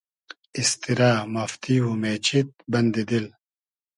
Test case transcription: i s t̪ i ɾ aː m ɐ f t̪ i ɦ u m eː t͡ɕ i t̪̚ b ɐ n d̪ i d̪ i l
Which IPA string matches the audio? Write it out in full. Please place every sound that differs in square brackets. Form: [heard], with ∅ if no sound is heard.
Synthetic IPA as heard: i s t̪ i ɾ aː m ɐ f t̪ i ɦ u m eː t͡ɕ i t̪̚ b ɐ n d̪ i d̪ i l